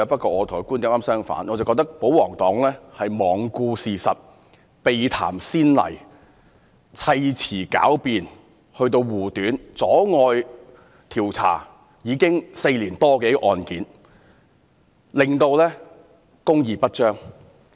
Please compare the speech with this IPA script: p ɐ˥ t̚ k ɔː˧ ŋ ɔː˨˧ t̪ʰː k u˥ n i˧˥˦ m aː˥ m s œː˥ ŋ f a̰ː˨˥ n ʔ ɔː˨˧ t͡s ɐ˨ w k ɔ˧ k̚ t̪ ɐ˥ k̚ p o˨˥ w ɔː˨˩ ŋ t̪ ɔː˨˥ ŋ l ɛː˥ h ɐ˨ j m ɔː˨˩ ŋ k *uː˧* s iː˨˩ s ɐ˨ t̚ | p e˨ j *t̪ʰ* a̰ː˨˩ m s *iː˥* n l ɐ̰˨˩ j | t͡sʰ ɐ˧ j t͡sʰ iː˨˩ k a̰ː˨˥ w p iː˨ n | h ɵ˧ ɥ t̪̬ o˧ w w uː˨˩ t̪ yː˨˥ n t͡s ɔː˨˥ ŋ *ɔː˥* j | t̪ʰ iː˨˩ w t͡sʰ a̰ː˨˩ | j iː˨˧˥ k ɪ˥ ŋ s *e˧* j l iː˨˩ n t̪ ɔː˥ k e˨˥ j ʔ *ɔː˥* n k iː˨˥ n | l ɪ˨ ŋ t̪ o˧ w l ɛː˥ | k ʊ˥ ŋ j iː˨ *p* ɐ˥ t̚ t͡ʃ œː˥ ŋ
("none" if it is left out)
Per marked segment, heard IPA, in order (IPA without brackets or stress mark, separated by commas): uː˧, t̪ʰ, iː˥, ɔː˧, e˧, ɔː˨, p